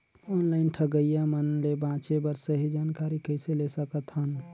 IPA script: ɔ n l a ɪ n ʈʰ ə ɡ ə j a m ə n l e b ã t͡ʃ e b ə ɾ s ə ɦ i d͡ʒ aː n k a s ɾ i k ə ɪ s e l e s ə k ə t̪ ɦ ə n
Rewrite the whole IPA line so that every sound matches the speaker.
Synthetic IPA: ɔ n l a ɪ n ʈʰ ə ɡ ə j a m ə n l e b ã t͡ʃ e b ə ɾ s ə ɦ i d͡ʒ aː n k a ɾ i k ə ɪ s e l e s ə k ə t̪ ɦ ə n